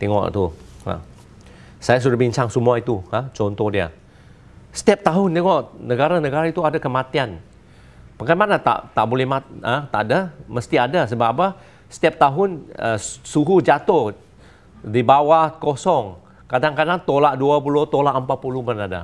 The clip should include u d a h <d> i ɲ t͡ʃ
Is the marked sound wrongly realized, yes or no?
yes